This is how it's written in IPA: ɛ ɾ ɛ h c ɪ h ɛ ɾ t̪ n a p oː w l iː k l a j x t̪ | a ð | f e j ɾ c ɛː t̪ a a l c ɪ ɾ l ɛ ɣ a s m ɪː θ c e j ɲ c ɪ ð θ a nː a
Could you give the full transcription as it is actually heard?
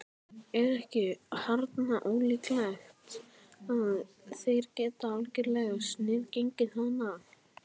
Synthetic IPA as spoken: ɛ ɾ ɛ h c ɪ h a ɾ t̪ n a ʔ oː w l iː k l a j x t̪ | a ð | θ e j ɾ c ɛː t̪ a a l c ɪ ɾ l ɛ ɣ a s n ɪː ð c e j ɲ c ɪ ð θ a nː a